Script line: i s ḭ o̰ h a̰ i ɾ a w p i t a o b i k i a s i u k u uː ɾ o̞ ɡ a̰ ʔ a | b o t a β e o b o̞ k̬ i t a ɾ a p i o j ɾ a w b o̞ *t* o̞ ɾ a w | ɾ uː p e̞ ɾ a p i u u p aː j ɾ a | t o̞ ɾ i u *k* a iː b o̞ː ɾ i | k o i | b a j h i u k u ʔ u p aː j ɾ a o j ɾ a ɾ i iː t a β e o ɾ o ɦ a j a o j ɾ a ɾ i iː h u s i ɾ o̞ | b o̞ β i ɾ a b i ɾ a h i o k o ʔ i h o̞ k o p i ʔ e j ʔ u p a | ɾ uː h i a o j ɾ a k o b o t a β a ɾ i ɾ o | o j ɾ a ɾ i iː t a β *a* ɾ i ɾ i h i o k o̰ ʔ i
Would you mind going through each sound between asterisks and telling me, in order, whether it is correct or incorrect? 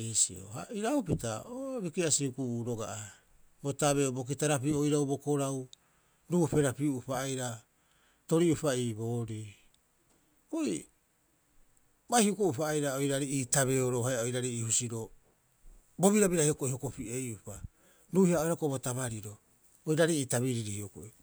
incorrect, incorrect, incorrect

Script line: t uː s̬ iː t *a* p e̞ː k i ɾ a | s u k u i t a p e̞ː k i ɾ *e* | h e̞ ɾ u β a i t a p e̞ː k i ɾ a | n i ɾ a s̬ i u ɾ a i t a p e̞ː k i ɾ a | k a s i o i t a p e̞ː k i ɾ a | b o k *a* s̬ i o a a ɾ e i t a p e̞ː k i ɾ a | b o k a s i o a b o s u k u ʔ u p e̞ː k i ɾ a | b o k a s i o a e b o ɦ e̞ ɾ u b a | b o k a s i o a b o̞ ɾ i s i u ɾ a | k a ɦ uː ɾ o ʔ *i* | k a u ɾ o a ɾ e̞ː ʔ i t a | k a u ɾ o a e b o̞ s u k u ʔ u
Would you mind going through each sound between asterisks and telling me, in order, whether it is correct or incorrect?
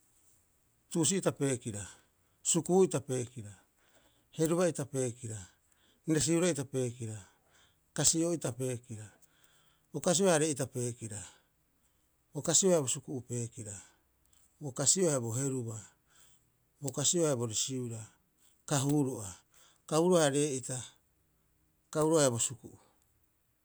correct, incorrect, correct, incorrect

